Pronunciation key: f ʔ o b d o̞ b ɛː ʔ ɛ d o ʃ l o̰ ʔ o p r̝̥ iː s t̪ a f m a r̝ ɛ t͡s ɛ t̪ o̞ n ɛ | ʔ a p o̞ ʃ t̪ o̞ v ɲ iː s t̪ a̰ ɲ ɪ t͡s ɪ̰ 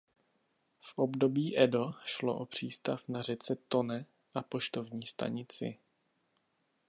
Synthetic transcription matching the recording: f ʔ o b d o̞ b iː ʔ ɛ d o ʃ l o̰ ʔ o p r̝̥ iː s t̪ a f n a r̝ ɛ t͡s ɛ t̪ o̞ n ɛ | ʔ a p o̞ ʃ t̪ o̞ v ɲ iː s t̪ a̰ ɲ ɪ t͡s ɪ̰